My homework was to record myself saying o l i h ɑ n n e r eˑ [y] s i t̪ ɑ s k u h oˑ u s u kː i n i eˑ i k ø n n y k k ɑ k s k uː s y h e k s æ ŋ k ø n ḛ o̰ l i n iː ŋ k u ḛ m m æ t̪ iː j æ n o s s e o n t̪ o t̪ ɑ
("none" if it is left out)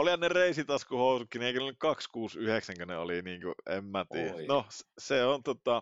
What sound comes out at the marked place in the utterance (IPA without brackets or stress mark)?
i